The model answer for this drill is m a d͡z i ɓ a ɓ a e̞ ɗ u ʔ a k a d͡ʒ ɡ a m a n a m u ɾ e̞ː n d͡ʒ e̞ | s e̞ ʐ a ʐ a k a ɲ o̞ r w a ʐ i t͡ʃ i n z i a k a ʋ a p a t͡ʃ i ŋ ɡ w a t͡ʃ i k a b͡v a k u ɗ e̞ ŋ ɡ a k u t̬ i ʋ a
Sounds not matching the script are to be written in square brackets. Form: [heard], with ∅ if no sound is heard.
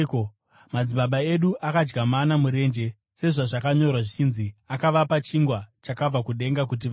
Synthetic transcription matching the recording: m a d͡z i ɓ a ɓ a e̞ ɗ u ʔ a k a d͡ʒ ɡ a m a n a m u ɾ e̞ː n d͡ʒ e̞ | s e̞ ʐ a ʐ a k a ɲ o̞ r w a ʐ i t͡ʃ i n z i a k a ʋ a p a t͡ʃ i ŋ ɡ w a t͡ʃ [a] k a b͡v a k u ɗ e̞ ŋ ɡ a k u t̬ i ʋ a